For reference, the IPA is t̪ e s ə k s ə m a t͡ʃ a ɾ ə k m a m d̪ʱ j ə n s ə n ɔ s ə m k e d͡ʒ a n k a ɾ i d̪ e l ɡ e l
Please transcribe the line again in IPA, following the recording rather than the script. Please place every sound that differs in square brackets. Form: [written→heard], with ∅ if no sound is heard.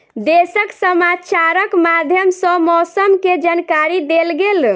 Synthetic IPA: [t̪→d̪] e s ə k s ə m a t͡ʃ a ɾ ə k m a [m→∅] d̪ʱ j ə [n→m] s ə [n→m] ɔ s ə m k e d͡ʒ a n k a ɾ i d̪ e l ɡ e l